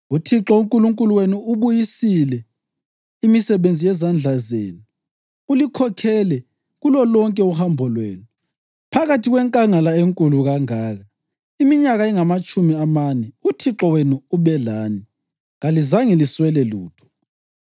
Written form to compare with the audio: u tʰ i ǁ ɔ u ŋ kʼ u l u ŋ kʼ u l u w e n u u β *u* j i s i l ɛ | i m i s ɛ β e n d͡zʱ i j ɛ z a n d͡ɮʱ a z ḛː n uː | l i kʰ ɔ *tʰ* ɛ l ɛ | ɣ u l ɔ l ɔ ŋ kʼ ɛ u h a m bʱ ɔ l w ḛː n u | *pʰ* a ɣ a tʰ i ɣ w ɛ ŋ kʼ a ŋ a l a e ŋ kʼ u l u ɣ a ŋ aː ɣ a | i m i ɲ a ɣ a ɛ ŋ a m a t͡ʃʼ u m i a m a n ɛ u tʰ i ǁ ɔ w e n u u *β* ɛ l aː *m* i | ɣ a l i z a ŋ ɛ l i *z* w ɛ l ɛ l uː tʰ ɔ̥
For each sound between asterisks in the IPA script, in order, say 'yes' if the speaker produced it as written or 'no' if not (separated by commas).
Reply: yes, no, yes, yes, no, no